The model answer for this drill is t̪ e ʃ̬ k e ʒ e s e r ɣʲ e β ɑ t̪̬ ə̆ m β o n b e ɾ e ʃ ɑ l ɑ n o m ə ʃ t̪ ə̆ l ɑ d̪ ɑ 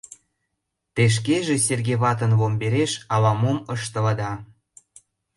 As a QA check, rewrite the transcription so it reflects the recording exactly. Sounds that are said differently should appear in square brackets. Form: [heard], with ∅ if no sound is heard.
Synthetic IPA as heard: t̪ e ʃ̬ k e ʒ e s e r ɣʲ e β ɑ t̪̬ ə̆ [n] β o [m] b e ɾ e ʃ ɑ l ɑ [m] o m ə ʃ t̪ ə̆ l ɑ d̪ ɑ